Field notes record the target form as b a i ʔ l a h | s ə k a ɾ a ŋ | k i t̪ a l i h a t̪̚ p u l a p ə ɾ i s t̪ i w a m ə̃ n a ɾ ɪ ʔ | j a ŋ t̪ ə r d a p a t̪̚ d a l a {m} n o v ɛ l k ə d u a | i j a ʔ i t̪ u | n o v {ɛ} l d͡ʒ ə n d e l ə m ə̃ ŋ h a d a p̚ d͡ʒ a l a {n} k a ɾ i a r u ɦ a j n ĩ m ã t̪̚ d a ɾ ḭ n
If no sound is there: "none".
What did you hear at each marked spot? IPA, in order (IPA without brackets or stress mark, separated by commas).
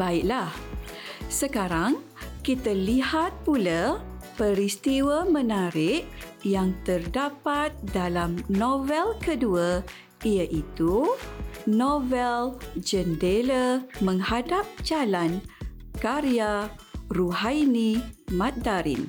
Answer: m, ɛ, n